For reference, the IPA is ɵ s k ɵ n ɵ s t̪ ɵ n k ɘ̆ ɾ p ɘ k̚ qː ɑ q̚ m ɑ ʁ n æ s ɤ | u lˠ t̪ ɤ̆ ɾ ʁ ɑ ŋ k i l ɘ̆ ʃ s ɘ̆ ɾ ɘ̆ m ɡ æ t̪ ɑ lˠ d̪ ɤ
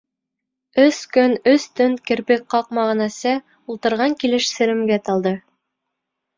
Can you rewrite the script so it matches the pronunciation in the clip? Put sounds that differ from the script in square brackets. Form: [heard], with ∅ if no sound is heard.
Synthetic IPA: ɵ s k ɵ n ɵ s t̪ ɵ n k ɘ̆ ɾ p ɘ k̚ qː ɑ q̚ m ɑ ʁ n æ s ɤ | u lˠ t̪ ɤ̆ ɾ ʁ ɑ ŋ k i l ɘ̆ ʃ s ɘ̆ ɾ ɘ̆ m ɡ æ t̪ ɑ lˠ d̪ ɤ